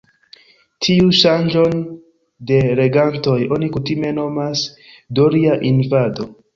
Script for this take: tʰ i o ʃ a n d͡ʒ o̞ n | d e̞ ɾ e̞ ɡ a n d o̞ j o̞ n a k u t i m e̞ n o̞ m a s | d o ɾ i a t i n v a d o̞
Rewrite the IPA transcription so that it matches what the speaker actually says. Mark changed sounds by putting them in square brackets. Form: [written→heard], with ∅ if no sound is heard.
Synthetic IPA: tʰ i [o→u] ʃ a n d͡ʒ o̞ n | d e̞ ɾ e̞ ɡ a n [d→t] o̞ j o̞ n [a→i] k u t i m e̞ n o̞ m a s | d o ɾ i a [t→ʔ] i n v a d o̞